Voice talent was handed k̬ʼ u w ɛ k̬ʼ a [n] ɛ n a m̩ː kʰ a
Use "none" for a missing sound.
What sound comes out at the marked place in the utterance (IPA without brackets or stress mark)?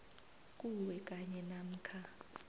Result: ɲ